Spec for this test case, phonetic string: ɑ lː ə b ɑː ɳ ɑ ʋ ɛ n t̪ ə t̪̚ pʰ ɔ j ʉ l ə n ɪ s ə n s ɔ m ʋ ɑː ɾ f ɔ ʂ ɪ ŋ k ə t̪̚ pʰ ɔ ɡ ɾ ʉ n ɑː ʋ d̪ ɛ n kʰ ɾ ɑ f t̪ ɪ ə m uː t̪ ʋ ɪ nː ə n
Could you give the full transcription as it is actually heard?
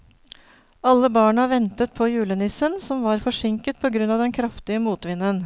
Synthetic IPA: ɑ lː ə b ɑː ɳ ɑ ʋ ɛ n t̪ ə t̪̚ pʰ ɔ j ʉː l ə n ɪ s ə n s ɔ m ʋ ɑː ɾ f ɔ ʂ ɪ ŋ k ə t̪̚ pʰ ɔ ɡ ɾ ʉ n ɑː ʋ d̪ ɛ n kʰ ɾ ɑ f t̪ ɪ ə m uː t̪ ʋ ɪ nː ə n